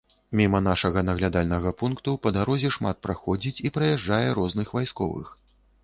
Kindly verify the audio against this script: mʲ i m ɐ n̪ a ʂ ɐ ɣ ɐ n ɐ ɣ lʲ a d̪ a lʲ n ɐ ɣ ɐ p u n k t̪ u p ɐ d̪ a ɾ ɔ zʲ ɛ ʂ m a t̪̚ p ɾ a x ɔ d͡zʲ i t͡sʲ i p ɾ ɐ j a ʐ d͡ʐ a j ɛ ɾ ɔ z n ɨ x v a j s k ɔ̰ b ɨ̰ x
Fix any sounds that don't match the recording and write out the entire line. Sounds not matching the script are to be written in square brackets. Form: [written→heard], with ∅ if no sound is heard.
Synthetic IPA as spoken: mʲ i m ɐ n̪ a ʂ ɐ ɣ ɐ n ɐ ɣ lʲ a d̪ a lʲ n ɐ ɣ ɐ p u n k t̪ u p ɐ d̪ a ɾ ɔ zʲ ɛ ʂ m a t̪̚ p ɾ a x ɔ d͡zʲ i t͡sʲ i p ɾ ɐ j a ʐ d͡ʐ a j ɛ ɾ ɔ z n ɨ x v a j s k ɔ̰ [b→v] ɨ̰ x